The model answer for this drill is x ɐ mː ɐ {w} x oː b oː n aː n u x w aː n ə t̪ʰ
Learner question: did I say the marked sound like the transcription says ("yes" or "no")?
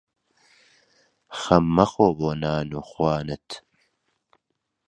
no